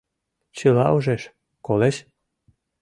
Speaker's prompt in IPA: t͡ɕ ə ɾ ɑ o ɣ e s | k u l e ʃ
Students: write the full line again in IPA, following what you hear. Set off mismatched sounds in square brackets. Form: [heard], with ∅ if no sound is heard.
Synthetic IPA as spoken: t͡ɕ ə [l] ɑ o [ʒ] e [ʃ] | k [o] l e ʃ